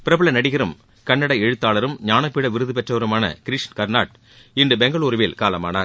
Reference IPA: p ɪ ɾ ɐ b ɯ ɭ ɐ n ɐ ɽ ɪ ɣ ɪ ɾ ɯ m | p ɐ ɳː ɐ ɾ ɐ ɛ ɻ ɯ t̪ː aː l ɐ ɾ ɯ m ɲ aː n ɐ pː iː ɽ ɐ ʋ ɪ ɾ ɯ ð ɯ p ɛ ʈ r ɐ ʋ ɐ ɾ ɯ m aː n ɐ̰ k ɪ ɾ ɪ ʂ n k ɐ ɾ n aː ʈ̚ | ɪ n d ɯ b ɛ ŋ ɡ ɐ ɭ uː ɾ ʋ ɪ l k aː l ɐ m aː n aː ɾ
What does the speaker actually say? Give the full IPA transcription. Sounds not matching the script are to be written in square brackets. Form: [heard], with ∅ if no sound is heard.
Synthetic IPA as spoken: p ɪ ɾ ɐ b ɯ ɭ ɐ n ɐ ɽ ɪ ɣ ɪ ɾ ɯ m | [k] ɐ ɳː ɐ [ɽ] ɐ ɛ ɻ ɯ t̪ː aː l ɐ ɾ ɯ m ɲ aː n ɐ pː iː ɽ ɐ ʋ ɪ ɾ ɯ ð ɯ p ɛ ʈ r ɐ ʋ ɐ ɾ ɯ m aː n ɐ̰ k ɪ ɾ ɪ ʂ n k ɐ ɾ n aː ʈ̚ | ɪ n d ɯ b ɛ ŋ ɡ ɐ ɭ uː ɾ ʋ ɪ l k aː l ɐ m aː n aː ɾ

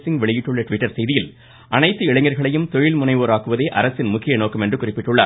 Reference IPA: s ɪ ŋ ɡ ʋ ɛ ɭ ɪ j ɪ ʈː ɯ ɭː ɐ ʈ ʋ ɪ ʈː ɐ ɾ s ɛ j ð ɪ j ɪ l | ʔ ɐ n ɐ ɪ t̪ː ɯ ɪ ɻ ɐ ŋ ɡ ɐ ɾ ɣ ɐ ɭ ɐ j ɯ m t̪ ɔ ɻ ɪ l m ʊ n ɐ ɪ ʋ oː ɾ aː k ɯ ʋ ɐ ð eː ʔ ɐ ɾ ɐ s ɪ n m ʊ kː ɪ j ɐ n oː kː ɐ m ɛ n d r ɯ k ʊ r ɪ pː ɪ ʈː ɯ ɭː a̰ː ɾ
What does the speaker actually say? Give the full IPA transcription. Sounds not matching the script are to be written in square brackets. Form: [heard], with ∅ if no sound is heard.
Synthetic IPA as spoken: s ɪ ŋ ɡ ʋ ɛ ɭ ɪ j ɪ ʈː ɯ ɭː ɐ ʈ ʋ ɪ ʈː ɐ ɾ s ɛ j ð ɪ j ɪ l | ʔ ɐ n ɐ ɪ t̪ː ɯ ɪ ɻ ɐ ŋ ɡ ɐ ɾ ɣ ɐ ɭ ɐ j ɯ m t̪ ɔ ɻ ɪ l m ʊ n ɐ ɪ ʋ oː ɾ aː k ɯ ʋ ɐ ð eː ʔ ɐ ɾ ɐ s ɪ n m ʊ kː ɪ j ɐ n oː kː ɐ m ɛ n d r ɯ k ʊ r ɪ pː ɪ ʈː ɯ ɭː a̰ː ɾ

